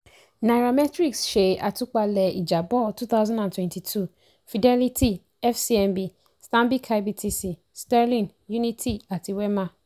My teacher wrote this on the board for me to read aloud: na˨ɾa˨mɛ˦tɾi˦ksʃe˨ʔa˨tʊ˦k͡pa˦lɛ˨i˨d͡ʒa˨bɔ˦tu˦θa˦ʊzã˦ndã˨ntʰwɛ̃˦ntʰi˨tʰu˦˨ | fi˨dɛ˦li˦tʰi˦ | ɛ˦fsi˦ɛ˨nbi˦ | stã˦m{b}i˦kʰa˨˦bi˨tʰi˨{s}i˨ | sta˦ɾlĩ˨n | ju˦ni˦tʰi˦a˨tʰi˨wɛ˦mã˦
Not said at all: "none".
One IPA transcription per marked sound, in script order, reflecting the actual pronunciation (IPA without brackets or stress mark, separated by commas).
b, s